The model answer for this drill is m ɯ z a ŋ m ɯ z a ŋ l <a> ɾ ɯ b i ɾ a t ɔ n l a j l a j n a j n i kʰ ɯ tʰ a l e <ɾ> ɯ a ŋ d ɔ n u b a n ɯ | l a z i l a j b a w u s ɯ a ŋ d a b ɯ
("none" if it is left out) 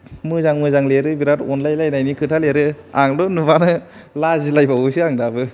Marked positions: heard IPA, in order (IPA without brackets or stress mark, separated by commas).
e, ɾ